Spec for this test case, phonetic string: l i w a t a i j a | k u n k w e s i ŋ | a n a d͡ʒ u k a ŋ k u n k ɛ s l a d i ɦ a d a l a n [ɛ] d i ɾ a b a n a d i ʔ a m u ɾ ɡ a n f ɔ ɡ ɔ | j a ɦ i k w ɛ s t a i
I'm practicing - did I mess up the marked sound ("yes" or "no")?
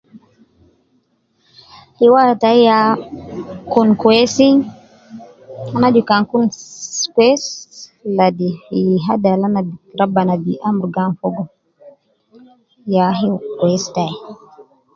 yes